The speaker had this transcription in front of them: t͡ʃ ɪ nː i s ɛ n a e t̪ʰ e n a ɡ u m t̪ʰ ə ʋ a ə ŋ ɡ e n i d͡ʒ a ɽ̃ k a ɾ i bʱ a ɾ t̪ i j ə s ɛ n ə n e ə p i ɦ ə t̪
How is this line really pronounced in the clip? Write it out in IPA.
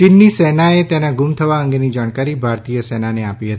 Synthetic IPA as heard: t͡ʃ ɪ nː i s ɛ n a e t̪ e n a ɡ u m t̪ʰ ə ʋ a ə ŋ ɡ e n i d͡ʒ a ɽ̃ k a ɾ i bʱ a ɾ t̪ i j ə s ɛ n a n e a p i ɦ ə t̪